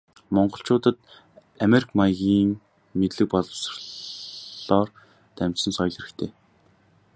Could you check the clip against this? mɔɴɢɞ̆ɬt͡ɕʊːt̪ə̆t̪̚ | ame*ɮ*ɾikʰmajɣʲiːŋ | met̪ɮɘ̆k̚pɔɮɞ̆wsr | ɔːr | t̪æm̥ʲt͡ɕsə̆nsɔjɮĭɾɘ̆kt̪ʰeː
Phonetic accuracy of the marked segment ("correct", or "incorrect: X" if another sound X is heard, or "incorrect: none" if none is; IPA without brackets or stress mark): incorrect: none